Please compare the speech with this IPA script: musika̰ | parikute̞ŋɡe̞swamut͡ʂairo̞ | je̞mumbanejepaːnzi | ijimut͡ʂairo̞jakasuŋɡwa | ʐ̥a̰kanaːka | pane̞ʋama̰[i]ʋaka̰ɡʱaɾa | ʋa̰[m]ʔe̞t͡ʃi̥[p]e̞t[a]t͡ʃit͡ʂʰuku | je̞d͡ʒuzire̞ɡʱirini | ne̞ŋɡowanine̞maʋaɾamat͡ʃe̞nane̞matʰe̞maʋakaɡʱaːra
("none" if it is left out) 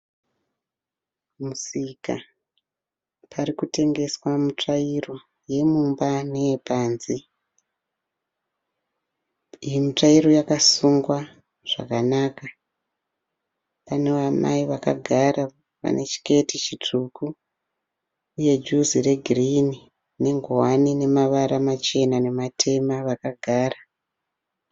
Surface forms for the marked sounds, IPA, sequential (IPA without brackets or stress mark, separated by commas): i, n, k, i